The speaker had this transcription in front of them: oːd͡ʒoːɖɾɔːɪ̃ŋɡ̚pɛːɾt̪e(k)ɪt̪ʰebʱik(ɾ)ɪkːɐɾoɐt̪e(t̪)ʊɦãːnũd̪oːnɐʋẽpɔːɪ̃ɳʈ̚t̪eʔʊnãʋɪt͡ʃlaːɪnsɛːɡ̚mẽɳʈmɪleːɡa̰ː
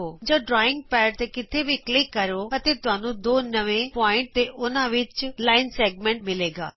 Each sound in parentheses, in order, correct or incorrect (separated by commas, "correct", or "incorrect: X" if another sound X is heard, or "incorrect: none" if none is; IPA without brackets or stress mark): correct, incorrect: l, correct